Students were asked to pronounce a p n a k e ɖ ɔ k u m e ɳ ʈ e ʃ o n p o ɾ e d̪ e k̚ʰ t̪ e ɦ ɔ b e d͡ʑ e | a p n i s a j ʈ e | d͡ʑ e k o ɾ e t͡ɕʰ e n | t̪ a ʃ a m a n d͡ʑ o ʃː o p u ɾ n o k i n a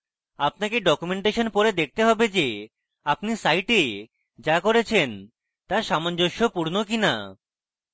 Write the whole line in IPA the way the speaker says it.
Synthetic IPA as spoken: a p n a k e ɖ ɔ k u m e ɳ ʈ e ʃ o n p o ɾ e d̪ e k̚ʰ t̪ e ɦ ɔ b e d͡ʑ e | a p n i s a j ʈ e | d͡ʑ a k o ɾ e t͡ɕʰ e n | t̪ a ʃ a m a n d͡ʑ o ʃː o p u ɾ n o k i n a